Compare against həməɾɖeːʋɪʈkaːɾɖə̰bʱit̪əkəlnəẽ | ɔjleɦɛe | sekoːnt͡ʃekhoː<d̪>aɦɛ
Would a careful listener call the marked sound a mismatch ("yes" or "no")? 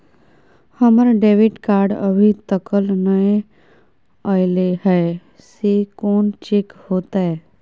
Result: yes